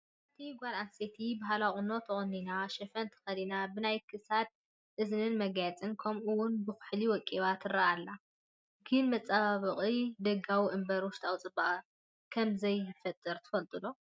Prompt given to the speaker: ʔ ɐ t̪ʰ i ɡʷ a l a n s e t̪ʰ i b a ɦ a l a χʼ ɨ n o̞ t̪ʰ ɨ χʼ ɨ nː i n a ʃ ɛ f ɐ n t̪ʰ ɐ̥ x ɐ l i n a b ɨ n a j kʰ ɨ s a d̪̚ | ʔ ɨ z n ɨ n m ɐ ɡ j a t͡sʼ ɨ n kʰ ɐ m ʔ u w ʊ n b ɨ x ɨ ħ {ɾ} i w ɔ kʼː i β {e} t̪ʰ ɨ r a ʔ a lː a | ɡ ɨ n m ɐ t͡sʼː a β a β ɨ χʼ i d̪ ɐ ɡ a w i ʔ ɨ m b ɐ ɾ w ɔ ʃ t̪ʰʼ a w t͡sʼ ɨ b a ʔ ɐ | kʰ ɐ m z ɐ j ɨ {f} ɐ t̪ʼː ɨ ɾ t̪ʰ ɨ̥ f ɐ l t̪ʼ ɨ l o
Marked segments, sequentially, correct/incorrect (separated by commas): incorrect, incorrect, correct